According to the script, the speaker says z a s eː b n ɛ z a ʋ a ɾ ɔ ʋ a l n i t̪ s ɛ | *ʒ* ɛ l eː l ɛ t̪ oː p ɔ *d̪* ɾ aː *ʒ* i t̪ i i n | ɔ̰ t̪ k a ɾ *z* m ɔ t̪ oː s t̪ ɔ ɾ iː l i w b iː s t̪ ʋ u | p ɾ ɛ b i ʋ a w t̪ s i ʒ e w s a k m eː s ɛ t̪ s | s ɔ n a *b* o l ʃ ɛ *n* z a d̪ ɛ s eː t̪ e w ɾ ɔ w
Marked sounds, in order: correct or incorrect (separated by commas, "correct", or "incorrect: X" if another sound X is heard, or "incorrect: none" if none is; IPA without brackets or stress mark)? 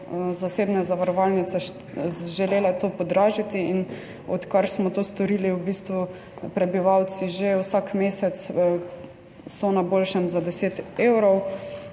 correct, correct, correct, incorrect: s, correct, incorrect: m